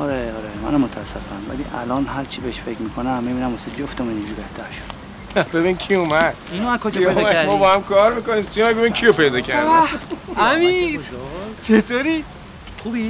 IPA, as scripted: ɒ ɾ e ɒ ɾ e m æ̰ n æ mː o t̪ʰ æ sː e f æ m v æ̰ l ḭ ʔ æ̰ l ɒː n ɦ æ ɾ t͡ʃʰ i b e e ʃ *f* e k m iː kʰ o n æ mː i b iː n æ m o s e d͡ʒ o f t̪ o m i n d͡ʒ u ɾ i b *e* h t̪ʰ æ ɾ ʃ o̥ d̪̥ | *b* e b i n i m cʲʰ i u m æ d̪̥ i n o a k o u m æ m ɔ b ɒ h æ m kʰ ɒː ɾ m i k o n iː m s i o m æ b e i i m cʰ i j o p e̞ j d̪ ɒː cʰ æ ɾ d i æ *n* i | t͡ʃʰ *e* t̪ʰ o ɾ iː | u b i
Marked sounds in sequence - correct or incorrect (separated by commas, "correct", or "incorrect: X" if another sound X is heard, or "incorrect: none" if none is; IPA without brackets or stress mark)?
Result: correct, correct, correct, incorrect: m, correct